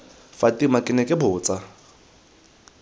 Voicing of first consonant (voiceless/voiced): voiceless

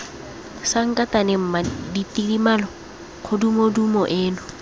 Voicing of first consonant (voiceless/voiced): voiceless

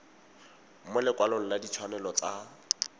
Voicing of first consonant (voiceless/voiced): voiced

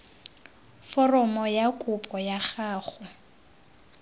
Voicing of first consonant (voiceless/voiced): voiceless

